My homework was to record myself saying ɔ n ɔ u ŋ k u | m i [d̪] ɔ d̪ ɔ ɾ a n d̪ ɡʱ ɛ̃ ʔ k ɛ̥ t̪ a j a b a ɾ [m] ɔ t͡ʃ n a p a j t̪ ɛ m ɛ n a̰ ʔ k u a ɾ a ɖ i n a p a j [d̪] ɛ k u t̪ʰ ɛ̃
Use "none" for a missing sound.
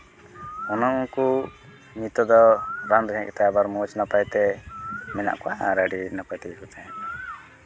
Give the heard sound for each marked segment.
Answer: t̪, m, t̪

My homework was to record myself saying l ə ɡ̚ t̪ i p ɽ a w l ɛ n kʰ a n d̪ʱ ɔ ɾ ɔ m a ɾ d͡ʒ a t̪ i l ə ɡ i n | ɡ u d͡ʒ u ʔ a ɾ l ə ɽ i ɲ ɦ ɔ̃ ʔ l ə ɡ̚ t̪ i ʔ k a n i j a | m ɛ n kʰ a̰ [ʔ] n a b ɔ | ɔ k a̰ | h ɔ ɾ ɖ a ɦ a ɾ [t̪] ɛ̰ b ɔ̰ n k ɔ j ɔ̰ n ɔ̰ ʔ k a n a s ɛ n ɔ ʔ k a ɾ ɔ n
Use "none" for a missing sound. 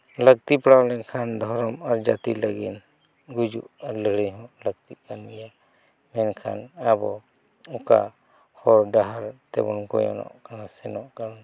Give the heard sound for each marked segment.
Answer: none, t̪

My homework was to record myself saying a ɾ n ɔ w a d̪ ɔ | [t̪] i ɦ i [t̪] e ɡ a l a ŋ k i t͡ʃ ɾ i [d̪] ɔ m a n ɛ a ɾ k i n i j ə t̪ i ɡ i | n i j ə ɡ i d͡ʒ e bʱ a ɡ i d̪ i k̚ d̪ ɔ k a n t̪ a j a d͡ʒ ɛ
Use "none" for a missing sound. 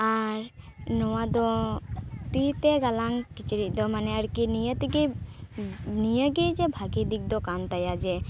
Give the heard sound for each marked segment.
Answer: t̪, t̪, d̪

